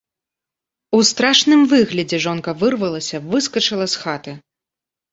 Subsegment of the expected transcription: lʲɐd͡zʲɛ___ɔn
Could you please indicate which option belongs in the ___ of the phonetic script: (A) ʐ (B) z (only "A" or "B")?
A